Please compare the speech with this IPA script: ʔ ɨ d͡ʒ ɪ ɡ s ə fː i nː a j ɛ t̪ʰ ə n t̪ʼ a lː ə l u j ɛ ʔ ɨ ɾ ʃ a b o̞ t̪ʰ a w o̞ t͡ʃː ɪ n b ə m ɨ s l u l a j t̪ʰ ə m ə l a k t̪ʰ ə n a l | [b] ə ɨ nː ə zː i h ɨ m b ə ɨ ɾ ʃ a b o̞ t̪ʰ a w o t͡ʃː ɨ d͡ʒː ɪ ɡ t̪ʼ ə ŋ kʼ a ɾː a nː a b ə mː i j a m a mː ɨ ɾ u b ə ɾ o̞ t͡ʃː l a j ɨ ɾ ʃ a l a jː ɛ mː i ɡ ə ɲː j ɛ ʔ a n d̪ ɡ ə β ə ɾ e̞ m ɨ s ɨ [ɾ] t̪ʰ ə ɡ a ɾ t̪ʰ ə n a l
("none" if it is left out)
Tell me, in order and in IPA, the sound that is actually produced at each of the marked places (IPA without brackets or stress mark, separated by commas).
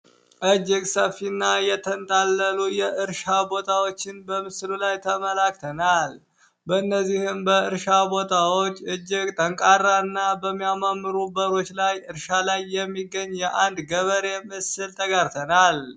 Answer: b, l